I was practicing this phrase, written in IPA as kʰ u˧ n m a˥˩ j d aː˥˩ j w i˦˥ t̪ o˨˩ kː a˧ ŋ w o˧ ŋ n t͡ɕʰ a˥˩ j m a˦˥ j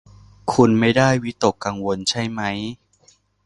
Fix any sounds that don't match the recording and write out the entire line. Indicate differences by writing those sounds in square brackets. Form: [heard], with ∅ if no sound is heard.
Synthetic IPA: kʰ u˧ n m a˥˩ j d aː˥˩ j w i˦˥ t̪ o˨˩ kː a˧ ŋ w o˧ [∅] n t͡ɕʰ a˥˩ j m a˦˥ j